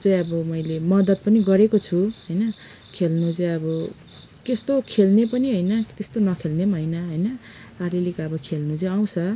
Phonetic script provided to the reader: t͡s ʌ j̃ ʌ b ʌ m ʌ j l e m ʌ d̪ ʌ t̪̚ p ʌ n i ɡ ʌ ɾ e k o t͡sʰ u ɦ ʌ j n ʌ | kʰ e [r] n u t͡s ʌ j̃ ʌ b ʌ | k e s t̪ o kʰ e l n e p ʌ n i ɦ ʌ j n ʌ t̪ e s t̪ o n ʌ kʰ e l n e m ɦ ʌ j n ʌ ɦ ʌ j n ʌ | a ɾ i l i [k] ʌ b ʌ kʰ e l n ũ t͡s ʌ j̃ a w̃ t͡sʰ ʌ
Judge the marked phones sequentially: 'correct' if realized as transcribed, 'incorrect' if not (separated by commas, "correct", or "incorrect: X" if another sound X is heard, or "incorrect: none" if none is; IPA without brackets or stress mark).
incorrect: l, correct